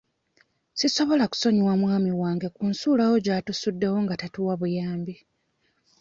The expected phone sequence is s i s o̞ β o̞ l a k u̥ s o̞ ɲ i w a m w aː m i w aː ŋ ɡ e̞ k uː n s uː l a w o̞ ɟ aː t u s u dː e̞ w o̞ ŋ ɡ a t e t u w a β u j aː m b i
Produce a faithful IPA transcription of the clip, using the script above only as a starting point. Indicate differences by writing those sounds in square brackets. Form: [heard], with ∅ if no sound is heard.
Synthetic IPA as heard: s i s o̞ β o̞ l a k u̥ s o̞ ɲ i w a m w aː m i w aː ŋ ɡ e̞ k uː n s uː l a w o̞ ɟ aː t u s u dː e̞ w o̞ ŋ ɡ a t [a] t u w a β u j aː m b i